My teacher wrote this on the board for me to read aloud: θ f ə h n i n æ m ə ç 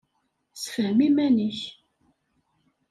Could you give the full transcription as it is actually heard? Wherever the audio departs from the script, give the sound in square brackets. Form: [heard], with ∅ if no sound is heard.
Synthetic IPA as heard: [s] f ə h [m] i [m] æ [n] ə ç